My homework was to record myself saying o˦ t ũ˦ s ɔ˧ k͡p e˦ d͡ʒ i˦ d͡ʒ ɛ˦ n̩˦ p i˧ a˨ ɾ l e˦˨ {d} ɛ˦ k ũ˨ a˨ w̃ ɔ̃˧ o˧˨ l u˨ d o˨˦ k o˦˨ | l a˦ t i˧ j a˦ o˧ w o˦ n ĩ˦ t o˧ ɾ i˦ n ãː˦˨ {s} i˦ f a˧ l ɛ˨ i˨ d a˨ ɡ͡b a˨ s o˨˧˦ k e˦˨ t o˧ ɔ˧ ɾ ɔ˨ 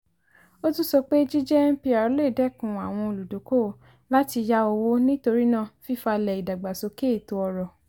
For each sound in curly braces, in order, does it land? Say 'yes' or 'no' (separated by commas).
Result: yes, no